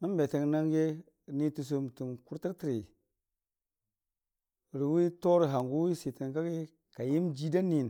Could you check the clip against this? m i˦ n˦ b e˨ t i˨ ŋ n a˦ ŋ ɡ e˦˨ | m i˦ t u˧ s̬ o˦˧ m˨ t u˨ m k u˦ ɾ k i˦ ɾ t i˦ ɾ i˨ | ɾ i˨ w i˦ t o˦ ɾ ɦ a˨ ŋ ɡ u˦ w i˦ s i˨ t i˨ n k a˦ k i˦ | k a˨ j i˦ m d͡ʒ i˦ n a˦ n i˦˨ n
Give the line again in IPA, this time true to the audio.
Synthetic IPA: m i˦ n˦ b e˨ t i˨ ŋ n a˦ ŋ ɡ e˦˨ | n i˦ t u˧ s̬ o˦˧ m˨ t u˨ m k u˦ ɾ t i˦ ɾ t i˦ ɾ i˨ | ɾ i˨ w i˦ t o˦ ɾ ɦ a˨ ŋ ɡ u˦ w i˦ s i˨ t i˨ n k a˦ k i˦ | k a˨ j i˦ m d͡ʒ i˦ d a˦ n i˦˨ n